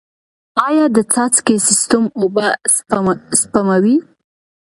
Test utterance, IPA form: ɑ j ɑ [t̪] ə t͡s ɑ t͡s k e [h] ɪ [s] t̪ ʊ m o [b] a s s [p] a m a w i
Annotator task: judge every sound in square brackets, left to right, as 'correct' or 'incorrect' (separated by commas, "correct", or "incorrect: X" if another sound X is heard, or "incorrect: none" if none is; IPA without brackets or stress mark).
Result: incorrect: d̪, incorrect: s, correct, correct, correct